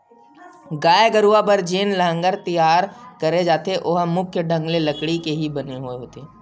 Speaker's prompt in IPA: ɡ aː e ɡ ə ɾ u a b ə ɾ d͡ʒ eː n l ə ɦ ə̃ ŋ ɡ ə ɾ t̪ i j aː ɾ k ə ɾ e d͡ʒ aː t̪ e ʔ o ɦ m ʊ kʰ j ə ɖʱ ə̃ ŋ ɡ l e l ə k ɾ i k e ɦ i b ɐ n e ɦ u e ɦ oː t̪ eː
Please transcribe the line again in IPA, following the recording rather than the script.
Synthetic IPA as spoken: ɡ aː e ɡ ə ɾ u a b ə ɾ d͡ʒ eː n l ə ɦ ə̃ ŋ ɡ ə ɾ t̪ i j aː ɾ k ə ɾ e d͡ʒ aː t̪ e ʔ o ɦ m ʊ kʰ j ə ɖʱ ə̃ ŋ ɡ l e l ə k ɽ i k e ɦ i b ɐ n e ɦ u e ɦ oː t̪ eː